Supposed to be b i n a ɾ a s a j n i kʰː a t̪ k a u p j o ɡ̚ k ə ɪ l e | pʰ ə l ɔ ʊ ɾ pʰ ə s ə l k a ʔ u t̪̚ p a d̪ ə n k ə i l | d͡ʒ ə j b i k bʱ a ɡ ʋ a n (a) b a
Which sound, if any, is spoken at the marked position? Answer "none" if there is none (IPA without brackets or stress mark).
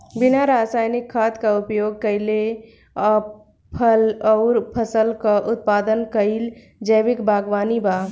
i